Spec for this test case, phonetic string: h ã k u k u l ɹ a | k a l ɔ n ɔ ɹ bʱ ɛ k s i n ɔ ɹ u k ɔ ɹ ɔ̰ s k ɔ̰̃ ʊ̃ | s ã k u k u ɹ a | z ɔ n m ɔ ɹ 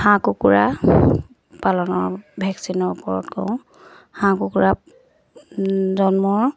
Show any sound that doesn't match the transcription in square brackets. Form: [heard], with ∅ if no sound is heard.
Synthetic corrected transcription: h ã k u k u [∅] ɹ a | [p] a l ɔ n ɔ ɹ bʱ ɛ k s i n ɔ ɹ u [p] ɔ ɹ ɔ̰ [t] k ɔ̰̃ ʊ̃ | [h] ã k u k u ɹ a | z ɔ n m ɔ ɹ